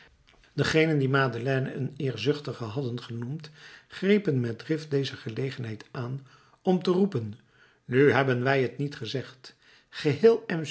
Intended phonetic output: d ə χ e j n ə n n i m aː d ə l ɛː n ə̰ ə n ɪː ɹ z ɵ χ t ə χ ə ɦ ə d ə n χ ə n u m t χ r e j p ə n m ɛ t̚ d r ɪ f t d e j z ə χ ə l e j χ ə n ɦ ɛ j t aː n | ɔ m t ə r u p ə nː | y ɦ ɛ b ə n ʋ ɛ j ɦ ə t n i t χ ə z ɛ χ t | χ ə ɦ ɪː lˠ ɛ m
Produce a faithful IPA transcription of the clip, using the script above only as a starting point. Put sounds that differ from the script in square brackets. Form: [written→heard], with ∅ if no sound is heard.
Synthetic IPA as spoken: d ə χ e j n ə n [n→d] i m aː d ə l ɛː n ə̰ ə n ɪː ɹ z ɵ χ t ə χ ə ɦ [ə→ɑ] d ə n χ ə n u m t χ r e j p ə n m ɛ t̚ d r ɪ f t d e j z ə χ ə l e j χ ə n ɦ ɛ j t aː n | ɔ m t ə r u p ə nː | y ɦ ɛ b ə n ʋ ɛ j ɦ ə t n i t χ ə z ɛ χ t | χ ə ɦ ɪː lˠ ɛ m

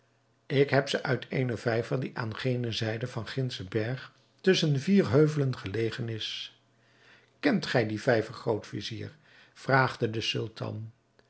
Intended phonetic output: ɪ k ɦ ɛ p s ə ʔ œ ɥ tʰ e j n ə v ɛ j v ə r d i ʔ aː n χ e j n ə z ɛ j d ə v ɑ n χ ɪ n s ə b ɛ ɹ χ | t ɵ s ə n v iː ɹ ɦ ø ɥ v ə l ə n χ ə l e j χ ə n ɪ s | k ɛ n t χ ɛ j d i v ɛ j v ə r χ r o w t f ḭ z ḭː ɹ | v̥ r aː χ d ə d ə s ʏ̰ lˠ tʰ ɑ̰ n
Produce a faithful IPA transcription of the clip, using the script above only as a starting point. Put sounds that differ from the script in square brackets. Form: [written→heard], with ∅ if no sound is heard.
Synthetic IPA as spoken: ɪ k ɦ ɛ p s ə ʔ œ ɥ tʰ e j n ə v ɛ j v ə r d i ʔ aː n χ e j n ə z ɛ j d ə v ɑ n χ ɪ n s ə b ɛ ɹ χ | t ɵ s ə n v iː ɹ ɦ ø ɥ v ə l ə n χ ə l e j χ ə n ɪ s | k ɛ n t χ ɛ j d i v ɛ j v ə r χ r o w t f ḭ z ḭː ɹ | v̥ r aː χ d ə d ə s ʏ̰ lˠ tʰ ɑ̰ n

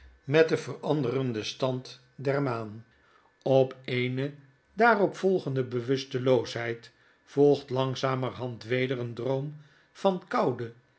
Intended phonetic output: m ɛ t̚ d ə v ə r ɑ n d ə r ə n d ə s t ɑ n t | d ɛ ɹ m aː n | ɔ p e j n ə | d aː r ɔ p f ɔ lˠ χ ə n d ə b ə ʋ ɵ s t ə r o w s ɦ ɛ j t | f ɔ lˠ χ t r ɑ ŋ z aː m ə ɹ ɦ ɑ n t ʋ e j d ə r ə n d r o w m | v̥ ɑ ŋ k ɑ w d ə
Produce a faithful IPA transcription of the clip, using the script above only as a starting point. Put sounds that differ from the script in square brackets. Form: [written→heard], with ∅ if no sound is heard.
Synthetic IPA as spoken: m ɛ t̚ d ə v ə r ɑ n d ə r ə n d ə s t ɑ n t | d ɛ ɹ m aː n | ɔ p e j n ə | d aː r ɔ p f ɔ lˠ χ ə n d ə b ə ʋ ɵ s t ə [r→l] o w s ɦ ɛ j t | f ɔ lˠ χ t [r→l] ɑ ŋ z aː m ə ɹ ɦ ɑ n t ʋ e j d ə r ə n d r o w m | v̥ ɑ [ŋ→n] k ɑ w d ə

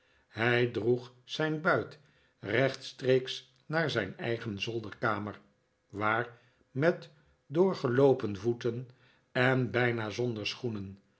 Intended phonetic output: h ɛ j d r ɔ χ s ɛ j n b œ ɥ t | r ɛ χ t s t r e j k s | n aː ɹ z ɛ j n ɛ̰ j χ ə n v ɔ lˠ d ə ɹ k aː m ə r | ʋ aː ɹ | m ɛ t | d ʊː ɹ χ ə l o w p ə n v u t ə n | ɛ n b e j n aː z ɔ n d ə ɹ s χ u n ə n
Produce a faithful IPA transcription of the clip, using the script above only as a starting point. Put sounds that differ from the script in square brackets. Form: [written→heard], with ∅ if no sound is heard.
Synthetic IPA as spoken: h ɛ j d r [ɔ→u] χ s ɛ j n b œ ɥ t | r ɛ χ t s t r e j k s | n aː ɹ z ɛ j n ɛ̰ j χ ə n [v→z] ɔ lˠ d ə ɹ k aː m ə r | ʋ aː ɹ | m ɛ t | d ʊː ɹ χ ə l o w p ə n v u t ə n | ɛ n b [e→ɛ] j n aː z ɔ n d ə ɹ s χ u n ə n

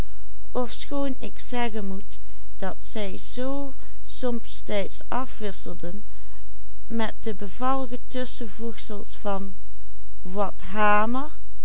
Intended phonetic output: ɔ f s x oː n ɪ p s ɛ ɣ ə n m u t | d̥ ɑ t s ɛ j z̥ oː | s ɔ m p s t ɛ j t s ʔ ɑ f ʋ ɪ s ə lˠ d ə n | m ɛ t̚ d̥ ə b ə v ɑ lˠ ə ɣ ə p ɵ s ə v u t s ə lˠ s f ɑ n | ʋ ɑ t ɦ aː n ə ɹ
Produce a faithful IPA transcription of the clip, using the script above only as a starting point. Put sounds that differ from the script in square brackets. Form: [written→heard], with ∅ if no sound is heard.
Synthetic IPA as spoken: ɔ f s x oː n ɪ [p→k] s ɛ ɣ ə n m u t | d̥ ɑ t s ɛ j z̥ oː | s ɔ m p s t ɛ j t s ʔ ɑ f ʋ ɪ s ə lˠ d ə n | m ɛ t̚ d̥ ə b ə v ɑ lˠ ə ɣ ə [p→t] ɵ s ə v u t s ə lˠ s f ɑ n | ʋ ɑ t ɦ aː [n→m] ə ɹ

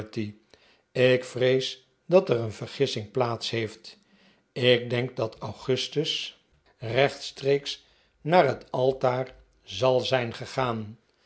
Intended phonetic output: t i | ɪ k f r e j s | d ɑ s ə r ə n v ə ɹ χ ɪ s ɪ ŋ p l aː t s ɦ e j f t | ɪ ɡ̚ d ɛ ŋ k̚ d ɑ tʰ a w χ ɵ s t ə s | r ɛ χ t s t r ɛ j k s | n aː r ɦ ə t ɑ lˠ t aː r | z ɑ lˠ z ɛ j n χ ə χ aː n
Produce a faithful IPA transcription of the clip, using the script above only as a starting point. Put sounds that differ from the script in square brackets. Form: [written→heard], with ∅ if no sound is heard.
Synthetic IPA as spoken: t i | ɪ k f r e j s | d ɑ [s→t] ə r ə n v ə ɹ χ ɪ s ɪ ŋ p l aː t s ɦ e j f t | ɪ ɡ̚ d ɛ ŋ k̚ d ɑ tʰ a w χ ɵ s t ə s | r ɛ χ t s t r [ɛ→e] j k s | n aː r ɦ ə t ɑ lˠ t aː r | z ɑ lˠ z ɛ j n χ ə χ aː n

